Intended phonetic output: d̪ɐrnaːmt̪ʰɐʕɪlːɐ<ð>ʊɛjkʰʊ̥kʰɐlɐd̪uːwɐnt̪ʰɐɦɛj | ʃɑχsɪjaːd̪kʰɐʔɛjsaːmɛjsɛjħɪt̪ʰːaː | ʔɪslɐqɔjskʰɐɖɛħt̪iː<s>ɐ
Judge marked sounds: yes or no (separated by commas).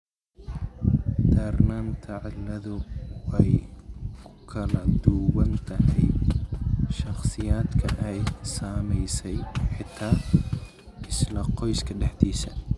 yes, yes